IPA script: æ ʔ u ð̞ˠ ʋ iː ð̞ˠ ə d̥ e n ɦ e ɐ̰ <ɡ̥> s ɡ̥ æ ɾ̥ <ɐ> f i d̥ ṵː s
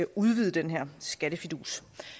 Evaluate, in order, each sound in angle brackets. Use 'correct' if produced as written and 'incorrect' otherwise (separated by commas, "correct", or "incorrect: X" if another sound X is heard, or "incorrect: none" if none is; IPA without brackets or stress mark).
incorrect: none, incorrect: ə